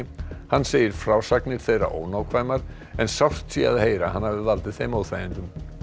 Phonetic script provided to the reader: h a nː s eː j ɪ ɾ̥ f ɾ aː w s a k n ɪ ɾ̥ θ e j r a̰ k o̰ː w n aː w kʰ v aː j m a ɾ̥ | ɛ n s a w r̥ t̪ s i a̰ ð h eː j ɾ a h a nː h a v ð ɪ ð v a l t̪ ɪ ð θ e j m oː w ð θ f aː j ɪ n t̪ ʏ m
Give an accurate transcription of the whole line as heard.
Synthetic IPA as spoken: h a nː s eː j ɪ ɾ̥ f ɾ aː w s a k n ɪ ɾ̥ θ e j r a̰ ʔ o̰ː w n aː w kʰ v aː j m a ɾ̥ | ɛ n s a w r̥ t̪ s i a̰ ð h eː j ɾ a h a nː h a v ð ɪ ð v a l t̪ ɪ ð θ e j m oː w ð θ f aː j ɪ n t̪ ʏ m